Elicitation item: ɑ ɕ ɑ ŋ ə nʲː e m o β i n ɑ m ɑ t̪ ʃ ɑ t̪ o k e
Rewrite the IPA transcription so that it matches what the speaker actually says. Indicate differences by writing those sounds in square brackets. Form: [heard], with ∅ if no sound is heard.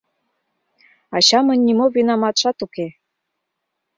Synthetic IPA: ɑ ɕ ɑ [m] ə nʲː [i] m o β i n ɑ m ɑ t̪ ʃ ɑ t̪ [u] k e